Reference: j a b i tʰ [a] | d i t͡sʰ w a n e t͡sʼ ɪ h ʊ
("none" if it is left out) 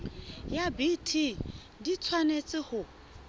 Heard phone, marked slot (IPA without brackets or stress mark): i